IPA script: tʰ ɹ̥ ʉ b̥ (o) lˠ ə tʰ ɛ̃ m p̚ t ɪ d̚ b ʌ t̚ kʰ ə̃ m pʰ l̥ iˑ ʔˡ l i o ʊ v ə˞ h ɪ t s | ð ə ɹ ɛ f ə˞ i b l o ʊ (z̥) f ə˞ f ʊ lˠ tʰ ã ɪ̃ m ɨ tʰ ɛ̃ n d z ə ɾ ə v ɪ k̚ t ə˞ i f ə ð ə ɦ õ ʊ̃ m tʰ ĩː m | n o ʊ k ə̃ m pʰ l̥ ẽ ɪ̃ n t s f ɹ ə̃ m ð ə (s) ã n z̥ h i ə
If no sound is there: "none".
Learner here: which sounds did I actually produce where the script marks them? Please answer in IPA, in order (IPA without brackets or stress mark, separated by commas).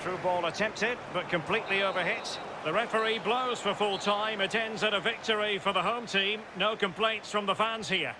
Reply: ɔ, z̥, f